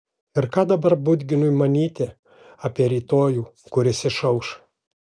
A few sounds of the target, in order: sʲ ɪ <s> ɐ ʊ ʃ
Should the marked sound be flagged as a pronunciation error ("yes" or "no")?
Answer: yes